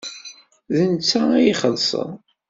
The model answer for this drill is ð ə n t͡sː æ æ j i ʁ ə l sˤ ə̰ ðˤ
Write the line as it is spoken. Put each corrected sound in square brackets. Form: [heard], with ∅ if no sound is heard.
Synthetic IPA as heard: ð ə n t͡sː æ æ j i [χ] ə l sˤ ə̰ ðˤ